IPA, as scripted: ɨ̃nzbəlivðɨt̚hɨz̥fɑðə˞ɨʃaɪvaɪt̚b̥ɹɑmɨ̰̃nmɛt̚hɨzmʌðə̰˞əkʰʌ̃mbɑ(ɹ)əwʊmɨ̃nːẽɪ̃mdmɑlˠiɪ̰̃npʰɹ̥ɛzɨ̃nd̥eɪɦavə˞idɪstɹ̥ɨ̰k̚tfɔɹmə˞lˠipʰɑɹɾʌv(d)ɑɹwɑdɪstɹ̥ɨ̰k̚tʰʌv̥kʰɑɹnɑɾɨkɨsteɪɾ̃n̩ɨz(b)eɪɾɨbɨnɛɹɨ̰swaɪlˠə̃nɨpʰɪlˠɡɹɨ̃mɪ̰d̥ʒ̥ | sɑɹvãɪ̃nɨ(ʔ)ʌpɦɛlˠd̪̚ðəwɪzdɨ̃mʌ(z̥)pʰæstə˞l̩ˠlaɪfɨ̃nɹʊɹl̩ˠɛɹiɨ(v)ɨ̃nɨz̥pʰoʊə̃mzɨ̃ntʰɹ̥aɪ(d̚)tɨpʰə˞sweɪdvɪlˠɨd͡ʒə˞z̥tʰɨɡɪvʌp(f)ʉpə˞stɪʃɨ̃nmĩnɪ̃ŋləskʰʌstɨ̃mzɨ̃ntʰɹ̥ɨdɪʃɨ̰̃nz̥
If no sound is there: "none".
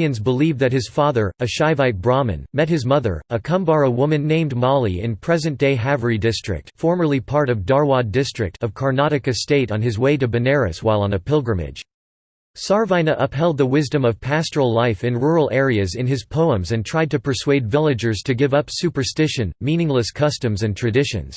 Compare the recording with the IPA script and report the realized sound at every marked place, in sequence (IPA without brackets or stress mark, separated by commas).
ɹ, d, w, ʔ, v̥, z, d̚, s